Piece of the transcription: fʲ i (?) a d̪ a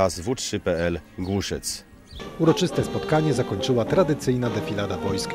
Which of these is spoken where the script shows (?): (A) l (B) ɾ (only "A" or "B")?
A